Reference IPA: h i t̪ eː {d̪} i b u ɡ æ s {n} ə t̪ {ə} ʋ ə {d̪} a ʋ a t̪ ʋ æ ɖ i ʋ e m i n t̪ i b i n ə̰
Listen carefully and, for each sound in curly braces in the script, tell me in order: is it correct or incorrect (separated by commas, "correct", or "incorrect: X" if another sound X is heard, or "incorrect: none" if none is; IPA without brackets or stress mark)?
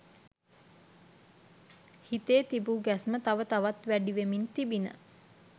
incorrect: t̪, incorrect: m, incorrect: a, incorrect: t̪